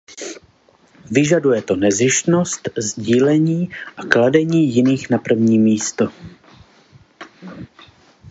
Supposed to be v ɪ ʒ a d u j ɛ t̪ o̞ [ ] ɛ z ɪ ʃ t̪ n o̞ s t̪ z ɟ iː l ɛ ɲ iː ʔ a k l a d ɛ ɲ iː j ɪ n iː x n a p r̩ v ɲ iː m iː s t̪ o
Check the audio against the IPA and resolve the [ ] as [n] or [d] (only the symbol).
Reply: n